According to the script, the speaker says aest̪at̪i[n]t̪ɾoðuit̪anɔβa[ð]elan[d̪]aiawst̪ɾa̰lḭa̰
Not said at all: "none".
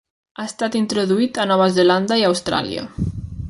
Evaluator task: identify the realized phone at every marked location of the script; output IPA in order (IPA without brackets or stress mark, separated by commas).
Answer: n, z, d̪